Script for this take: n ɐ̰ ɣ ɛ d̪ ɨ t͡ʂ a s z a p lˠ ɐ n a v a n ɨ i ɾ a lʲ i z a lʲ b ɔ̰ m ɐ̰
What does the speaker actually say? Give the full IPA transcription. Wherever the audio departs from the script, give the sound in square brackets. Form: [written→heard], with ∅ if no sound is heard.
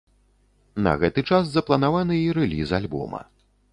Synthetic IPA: n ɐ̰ ɣ ɛ [d̪→t̪] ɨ t͡ʂ a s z [a→ɐ] p lˠ ɐ n a v a n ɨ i ɾ [a→ɛ] lʲ i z a lʲ b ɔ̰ m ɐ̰